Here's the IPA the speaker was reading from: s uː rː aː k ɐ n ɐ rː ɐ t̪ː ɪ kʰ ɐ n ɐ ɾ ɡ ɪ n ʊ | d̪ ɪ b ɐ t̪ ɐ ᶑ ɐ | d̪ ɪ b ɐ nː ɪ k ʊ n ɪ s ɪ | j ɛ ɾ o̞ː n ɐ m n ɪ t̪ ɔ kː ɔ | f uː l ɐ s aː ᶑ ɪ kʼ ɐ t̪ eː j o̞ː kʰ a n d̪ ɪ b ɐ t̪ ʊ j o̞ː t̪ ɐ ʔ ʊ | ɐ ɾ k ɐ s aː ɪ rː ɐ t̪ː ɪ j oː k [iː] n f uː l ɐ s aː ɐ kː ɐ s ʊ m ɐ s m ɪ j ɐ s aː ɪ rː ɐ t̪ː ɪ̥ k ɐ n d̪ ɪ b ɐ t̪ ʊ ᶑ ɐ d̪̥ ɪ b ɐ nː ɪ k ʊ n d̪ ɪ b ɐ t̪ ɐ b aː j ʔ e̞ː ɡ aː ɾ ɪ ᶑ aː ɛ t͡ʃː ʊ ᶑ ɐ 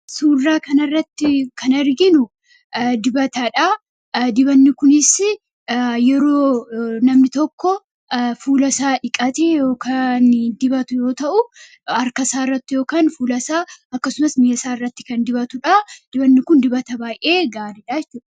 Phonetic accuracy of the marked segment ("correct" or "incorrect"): incorrect